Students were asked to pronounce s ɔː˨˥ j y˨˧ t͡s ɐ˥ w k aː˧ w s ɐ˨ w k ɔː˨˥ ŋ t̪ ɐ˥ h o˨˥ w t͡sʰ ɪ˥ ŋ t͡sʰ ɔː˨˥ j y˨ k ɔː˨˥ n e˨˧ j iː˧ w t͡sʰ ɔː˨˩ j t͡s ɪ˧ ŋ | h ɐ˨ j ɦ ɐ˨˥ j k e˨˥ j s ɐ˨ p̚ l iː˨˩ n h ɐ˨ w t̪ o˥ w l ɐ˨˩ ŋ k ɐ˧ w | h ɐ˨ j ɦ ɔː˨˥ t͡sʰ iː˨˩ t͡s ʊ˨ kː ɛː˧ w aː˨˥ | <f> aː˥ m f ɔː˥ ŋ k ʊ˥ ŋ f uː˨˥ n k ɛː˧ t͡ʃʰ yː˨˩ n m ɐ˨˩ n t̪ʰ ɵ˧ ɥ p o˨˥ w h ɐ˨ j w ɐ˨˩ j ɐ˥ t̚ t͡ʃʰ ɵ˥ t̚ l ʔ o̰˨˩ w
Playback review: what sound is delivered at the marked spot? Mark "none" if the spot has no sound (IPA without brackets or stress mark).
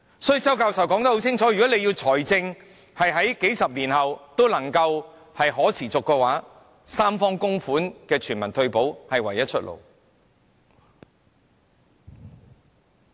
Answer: s